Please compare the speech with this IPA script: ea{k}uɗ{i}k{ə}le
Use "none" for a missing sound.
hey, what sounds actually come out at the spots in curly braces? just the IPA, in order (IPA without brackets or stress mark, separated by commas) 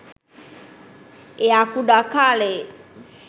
k, a, a